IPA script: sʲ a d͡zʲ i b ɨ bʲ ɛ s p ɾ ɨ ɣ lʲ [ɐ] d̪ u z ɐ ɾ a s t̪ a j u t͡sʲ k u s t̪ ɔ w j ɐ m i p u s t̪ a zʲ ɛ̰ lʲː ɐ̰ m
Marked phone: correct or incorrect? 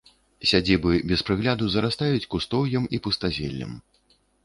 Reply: incorrect